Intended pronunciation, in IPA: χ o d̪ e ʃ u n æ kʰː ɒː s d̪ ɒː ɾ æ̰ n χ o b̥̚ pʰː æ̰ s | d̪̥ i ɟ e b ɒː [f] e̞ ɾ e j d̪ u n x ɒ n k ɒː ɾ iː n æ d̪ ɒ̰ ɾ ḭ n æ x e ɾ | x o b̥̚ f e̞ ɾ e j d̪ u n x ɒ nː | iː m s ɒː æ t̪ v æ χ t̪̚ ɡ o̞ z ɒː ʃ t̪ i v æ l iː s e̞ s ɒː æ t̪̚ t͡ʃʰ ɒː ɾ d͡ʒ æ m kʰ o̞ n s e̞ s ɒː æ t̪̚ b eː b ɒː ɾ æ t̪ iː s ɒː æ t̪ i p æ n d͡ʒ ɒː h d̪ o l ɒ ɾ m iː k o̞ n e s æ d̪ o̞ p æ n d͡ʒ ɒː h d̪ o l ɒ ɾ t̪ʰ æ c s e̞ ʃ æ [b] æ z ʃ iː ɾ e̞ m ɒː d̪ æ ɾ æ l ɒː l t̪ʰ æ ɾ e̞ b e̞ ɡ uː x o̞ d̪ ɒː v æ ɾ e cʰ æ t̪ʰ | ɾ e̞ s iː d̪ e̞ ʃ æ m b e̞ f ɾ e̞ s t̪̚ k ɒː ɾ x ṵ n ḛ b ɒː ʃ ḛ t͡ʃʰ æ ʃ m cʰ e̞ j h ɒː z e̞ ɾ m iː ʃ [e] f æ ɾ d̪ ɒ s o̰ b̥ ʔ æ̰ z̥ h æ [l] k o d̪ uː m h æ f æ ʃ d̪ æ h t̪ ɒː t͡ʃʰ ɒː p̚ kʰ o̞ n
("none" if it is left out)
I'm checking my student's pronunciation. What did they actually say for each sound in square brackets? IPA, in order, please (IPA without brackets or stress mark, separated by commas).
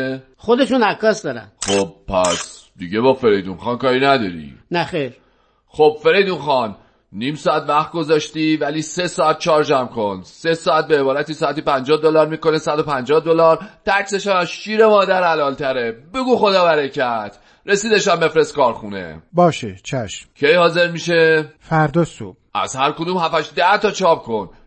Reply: f, m, e, ɾ